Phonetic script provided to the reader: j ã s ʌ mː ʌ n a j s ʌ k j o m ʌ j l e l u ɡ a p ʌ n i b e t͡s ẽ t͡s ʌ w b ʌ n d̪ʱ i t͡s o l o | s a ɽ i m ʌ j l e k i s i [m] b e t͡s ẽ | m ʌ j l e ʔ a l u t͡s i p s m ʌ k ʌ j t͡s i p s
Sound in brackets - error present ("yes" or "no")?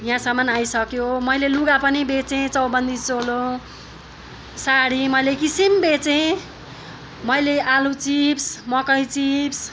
no